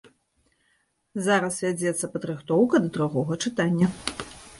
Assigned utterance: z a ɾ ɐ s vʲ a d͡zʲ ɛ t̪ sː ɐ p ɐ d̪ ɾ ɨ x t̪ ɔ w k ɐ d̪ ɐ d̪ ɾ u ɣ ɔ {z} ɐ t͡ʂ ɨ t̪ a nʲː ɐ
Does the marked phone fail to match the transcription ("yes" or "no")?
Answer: yes